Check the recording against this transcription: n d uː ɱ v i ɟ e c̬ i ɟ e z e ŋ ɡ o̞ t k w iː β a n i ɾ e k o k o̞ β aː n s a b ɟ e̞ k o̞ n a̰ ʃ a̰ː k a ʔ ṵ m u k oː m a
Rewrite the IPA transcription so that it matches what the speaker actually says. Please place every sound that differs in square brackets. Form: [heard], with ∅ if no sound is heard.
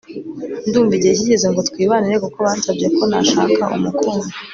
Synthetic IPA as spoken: n d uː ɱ v i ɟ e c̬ i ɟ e z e ŋ ɡ o̞ t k w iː β a n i ɾ e k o k o̞ β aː n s a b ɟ e̞ k o̞ n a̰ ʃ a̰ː k a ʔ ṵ m u k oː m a

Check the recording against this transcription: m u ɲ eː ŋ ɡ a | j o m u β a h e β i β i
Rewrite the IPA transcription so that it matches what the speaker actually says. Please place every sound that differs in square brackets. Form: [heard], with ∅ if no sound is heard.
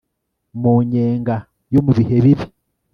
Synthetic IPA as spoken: m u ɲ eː ŋ ɡ a | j o m u β [i] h e β i β i

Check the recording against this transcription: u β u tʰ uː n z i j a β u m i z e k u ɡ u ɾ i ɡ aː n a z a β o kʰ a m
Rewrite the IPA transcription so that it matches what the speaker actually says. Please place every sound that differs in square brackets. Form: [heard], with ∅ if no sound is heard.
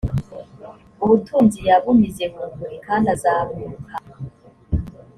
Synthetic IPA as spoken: u β u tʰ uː n z i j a β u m i z e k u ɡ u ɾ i [k] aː n a z a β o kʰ a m

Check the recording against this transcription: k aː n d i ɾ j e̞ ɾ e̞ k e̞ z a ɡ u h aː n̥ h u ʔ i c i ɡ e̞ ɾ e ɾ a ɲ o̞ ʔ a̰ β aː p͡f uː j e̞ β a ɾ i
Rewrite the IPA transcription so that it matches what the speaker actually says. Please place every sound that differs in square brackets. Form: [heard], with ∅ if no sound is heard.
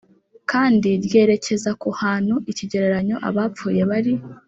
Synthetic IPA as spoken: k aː n d i ɾ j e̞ ɾ e̞ [c] e̞ z a [k] u h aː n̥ h u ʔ i c i [ɟ] e̞ ɾ e ɾ a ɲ o̞ ʔ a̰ β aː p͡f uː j e̞ β a ɾ i

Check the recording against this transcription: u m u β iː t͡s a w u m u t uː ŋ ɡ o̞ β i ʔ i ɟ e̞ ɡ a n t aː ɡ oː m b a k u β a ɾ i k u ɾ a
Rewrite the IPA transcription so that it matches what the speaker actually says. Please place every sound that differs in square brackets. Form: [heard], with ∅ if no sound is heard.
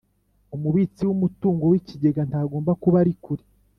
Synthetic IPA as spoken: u m u β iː t͡s [i] w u m u t uː ŋ ɡ o̞ [w] i [c] i ɟ e̞ ɡ a n t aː ɡ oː m b a k u β a ɾ i k u ɾ [i]

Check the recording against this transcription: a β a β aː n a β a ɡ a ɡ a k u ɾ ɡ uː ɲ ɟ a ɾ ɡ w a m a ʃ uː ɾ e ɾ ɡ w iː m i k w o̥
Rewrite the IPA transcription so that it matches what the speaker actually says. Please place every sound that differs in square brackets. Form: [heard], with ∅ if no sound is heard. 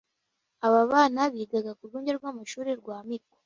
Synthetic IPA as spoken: a β a β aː n a β [i] ɡ a ɡ a k u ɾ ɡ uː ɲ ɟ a ɾ ɡ w a m a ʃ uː ɾ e ɾ ɡ w [aː] m i k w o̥

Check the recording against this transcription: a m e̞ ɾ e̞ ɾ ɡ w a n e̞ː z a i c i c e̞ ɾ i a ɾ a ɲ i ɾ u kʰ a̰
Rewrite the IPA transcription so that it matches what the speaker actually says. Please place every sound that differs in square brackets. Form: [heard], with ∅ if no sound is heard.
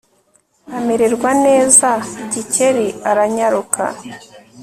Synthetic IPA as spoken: a m e̞ ɾ e̞ ɾ ɡ w a n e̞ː z a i [ɟ] i c e̞ ɾ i a ɾ a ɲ [a] ɾ u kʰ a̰

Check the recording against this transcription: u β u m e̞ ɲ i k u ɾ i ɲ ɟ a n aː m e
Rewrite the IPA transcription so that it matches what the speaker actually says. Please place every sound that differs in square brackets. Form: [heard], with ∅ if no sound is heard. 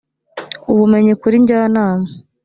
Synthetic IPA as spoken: u β u m e̞ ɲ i k u ɾ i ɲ ɟ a n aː m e

